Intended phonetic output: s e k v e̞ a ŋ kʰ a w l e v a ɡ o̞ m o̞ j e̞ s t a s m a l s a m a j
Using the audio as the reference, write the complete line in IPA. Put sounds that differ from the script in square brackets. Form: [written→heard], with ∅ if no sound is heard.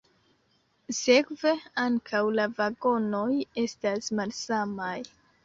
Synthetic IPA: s e k v e̞ a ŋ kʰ a w l [e→a] v a ɡ o̞ [m→n] o̞ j e̞ s t a s m a l s a m a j